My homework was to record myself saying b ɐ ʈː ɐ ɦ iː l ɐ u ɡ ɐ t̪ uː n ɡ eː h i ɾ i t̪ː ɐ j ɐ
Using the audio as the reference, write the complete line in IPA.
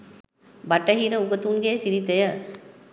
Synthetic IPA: b ɐ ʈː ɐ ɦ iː ɾ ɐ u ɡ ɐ t̪ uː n ɡ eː s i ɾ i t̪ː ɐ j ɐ